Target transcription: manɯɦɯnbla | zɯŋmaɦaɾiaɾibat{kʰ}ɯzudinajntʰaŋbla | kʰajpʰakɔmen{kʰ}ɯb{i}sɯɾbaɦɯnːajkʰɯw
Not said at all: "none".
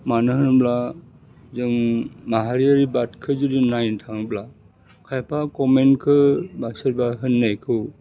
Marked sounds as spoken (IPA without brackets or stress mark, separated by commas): kʰ, kʰ, a